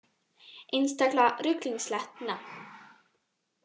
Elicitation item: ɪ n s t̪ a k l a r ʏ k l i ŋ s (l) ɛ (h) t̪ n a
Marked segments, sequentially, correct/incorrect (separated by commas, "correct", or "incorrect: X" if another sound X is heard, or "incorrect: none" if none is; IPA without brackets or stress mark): correct, correct